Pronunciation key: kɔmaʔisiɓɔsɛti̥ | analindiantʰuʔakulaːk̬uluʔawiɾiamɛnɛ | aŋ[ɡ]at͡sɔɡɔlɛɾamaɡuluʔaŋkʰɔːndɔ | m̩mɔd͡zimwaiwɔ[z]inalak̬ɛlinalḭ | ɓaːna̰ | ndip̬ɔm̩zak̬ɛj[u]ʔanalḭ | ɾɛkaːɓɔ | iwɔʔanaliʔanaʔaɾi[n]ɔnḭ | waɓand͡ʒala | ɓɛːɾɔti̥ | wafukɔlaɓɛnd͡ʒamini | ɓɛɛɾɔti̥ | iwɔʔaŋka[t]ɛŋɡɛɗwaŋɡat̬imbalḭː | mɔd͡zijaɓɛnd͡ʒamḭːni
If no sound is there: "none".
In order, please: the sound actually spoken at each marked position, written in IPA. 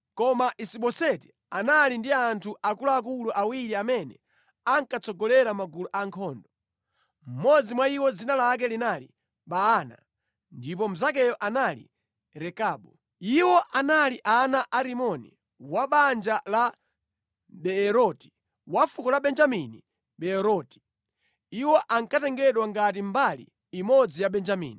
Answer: k, d͡z, ɔ, m, t

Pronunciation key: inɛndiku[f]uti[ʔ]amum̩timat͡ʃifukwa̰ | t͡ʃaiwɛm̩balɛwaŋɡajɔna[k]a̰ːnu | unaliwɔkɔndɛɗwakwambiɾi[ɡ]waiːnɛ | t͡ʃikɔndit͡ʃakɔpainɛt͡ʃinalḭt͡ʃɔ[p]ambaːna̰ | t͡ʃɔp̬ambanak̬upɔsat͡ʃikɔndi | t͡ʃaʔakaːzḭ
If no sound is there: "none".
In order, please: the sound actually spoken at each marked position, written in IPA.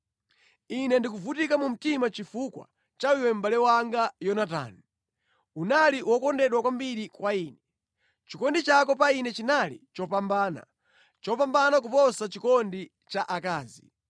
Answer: v, k, t, k, p

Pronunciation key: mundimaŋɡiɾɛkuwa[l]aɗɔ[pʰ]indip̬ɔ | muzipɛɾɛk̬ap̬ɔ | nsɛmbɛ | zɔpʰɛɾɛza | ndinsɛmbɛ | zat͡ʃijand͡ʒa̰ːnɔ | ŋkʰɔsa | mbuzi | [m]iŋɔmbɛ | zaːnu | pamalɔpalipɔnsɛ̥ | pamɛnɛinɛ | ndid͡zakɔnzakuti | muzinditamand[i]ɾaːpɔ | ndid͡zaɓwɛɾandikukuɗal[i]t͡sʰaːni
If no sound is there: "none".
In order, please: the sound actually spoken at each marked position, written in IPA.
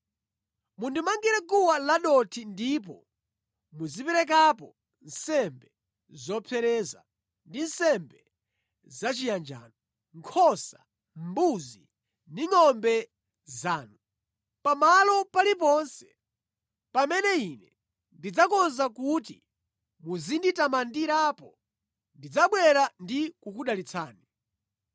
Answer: l, tʰ, n, i, i

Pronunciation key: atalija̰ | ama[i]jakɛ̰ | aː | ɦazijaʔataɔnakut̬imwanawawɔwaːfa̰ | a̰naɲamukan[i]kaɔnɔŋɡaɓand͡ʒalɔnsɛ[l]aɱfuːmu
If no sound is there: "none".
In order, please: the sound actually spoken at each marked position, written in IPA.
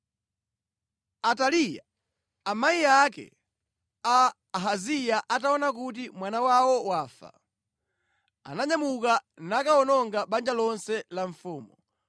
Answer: i, a, l

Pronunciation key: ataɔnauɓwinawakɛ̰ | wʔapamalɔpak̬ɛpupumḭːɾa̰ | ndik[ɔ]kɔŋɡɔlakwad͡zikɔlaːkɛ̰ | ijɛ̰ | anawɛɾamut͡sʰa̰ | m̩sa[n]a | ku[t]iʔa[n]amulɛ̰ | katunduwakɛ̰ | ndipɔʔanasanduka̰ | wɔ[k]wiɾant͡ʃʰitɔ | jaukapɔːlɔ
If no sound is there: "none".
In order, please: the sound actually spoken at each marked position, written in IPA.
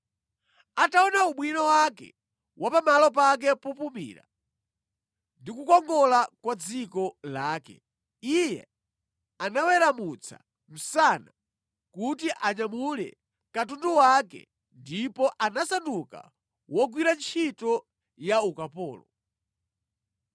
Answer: u, n, t, ɲ, ɡ

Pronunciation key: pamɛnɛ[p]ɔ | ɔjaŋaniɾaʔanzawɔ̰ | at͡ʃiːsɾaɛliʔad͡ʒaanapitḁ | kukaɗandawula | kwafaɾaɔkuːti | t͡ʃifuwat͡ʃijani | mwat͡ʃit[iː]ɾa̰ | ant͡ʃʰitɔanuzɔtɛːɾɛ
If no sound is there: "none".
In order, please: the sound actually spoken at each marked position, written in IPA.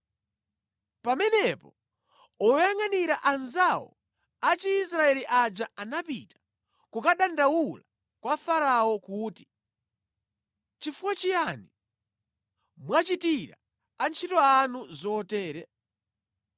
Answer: p, i

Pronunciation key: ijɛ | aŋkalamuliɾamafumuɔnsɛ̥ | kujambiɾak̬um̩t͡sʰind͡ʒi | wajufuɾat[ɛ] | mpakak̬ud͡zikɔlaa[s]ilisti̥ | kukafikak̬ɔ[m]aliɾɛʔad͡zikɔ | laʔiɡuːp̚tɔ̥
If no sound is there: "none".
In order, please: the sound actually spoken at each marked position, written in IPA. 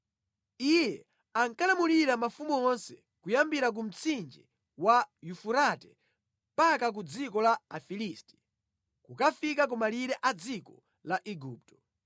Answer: ɛ, f, m

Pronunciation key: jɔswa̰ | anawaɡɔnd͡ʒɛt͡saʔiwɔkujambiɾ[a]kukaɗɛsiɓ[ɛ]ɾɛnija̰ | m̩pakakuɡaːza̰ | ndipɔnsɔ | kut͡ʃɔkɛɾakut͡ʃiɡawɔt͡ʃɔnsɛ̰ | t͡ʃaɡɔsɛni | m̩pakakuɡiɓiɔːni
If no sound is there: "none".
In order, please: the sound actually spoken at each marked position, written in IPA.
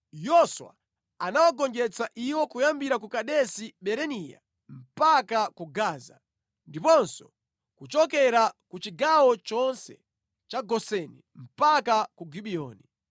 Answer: a, ɛ

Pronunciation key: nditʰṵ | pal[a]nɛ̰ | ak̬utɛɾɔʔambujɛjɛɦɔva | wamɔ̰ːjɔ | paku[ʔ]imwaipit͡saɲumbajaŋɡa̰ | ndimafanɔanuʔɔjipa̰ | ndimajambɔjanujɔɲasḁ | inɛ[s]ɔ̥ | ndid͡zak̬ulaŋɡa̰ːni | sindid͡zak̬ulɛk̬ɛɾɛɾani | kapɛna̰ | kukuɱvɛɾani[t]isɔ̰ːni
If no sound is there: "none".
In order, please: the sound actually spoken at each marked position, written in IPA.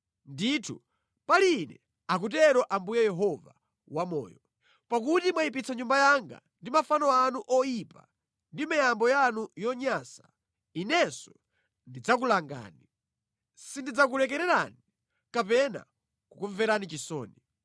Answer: i, t, s, t͡ʃ

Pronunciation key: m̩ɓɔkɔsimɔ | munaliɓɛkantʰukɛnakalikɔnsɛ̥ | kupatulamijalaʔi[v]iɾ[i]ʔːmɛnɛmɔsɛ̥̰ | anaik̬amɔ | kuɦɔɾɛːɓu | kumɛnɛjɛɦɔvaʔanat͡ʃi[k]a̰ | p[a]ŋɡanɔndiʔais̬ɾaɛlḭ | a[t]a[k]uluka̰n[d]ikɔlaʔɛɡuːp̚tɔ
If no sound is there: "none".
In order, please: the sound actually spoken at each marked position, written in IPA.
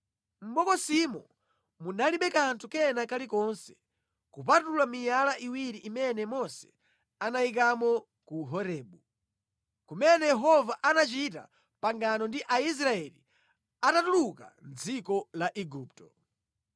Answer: w, i, t, a, t, t, d͡z

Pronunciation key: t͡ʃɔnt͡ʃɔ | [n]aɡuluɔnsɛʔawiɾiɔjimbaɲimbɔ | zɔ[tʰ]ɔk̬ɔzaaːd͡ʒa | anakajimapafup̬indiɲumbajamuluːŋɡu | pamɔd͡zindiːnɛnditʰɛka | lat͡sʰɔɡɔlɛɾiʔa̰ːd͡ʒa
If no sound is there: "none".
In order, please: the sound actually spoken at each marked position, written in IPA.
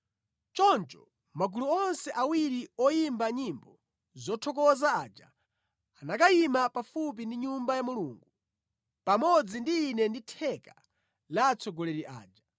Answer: m, tʰ

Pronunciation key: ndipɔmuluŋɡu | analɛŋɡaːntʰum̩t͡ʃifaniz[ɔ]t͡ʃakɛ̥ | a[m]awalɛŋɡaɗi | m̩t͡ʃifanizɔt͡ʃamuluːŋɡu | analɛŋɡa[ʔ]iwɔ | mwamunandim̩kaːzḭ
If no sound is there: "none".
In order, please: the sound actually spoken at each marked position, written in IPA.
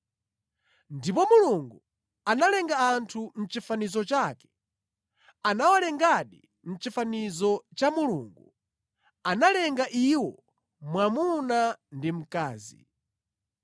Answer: ɔ, n, ʔ

